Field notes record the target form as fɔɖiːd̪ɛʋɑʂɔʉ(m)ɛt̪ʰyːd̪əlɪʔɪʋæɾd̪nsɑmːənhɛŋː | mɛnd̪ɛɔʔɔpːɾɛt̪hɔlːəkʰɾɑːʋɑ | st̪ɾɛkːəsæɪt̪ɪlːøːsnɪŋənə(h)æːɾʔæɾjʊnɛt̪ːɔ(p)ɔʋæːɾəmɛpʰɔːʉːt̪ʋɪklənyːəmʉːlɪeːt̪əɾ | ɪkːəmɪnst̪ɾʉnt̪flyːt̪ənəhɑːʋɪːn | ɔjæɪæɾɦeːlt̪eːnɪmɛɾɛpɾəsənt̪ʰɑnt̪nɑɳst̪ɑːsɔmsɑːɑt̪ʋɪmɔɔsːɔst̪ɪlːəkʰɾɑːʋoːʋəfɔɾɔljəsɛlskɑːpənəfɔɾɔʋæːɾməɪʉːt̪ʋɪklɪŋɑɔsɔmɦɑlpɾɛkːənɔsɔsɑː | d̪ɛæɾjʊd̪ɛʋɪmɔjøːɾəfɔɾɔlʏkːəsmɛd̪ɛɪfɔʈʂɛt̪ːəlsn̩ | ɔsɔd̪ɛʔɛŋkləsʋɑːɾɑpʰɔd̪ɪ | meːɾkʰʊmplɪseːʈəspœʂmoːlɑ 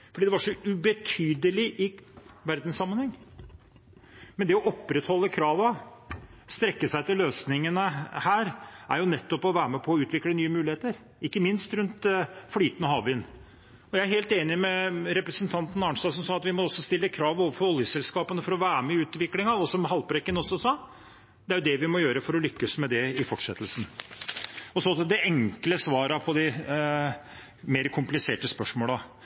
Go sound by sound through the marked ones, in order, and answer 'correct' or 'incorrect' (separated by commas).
incorrect, correct, correct